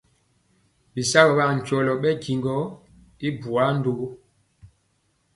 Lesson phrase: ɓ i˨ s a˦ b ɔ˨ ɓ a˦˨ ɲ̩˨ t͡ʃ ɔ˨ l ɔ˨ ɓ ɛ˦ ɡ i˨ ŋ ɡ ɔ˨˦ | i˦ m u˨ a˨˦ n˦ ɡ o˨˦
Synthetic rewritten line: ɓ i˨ s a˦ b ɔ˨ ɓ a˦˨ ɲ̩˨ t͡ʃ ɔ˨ l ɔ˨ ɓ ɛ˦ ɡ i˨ ŋ ɡ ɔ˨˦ | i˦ b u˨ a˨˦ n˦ d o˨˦